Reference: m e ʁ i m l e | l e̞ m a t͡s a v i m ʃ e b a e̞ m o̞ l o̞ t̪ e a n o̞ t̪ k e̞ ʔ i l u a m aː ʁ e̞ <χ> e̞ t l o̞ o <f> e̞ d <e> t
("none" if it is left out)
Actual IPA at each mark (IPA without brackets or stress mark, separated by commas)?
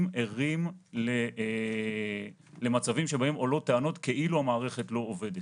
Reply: χ, v, e